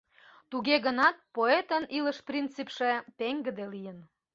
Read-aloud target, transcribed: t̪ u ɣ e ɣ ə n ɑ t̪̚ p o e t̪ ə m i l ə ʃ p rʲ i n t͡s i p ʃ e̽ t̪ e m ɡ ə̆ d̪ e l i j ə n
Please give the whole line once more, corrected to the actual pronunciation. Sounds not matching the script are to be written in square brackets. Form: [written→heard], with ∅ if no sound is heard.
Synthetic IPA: t̪ u ɣ e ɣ ə n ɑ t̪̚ p o e t̪ ə [m→n] i l ə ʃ p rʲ i n t͡s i p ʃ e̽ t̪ e [m→ŋ] ɡ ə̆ d̪ e l i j ə n